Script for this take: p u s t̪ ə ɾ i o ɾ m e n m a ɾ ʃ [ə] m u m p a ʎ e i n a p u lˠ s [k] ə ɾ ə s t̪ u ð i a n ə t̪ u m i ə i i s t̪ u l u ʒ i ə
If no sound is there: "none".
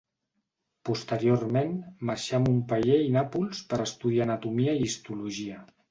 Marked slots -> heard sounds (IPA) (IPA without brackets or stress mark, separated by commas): a, p